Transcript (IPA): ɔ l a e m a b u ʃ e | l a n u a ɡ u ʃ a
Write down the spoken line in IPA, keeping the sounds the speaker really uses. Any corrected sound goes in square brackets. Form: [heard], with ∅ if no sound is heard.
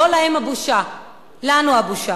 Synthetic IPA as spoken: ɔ l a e m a b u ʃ [a] | l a n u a [b] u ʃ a